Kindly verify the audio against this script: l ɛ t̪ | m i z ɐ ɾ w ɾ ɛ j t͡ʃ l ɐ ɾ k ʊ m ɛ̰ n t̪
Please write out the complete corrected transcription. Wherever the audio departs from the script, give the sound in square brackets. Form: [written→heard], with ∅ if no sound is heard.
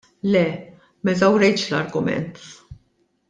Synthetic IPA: l ɛ [t̪→∅] | m [i→ɛ] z ɐ [ɾ→∅] w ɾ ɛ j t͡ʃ l ɐ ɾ [k→ɡ] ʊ m ɛ̰ n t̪